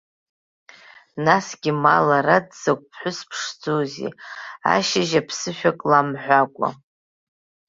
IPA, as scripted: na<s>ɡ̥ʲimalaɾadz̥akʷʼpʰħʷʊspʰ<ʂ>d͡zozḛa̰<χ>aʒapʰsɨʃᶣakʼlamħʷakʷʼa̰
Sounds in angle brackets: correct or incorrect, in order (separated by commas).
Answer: correct, correct, incorrect